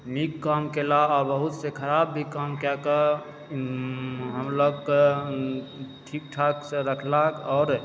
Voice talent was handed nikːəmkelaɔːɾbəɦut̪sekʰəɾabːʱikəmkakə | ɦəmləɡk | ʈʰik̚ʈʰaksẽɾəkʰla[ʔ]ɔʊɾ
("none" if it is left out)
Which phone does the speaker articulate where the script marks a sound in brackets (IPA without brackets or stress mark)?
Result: k